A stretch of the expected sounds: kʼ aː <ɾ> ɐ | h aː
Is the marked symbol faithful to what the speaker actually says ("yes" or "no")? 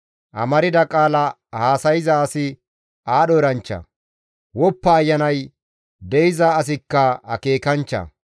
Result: no